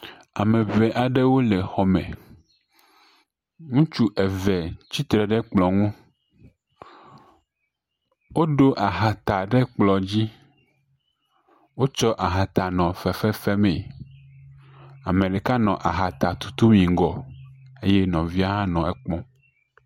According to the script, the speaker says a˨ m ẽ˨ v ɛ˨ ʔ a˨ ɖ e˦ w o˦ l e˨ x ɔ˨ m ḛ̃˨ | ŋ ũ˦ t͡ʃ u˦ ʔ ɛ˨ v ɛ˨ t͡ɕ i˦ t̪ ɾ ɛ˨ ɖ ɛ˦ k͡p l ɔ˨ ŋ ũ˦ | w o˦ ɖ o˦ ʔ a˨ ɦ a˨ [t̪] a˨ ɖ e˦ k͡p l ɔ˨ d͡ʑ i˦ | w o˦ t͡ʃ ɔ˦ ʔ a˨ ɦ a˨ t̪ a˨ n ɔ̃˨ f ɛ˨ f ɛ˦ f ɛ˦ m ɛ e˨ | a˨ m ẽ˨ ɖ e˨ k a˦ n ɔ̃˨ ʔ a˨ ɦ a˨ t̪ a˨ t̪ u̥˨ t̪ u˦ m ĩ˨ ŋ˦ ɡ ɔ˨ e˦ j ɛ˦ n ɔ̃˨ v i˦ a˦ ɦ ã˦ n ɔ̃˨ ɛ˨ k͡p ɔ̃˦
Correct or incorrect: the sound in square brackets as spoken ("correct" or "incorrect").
correct